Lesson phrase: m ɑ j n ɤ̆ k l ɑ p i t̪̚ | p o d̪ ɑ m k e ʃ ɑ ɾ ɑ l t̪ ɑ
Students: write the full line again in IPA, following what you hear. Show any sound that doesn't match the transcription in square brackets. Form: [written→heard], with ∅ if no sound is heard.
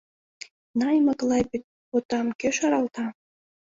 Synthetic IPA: [m→n] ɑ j [n→m] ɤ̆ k l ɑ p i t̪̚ | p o [d̪→t̪] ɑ m k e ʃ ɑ ɾ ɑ l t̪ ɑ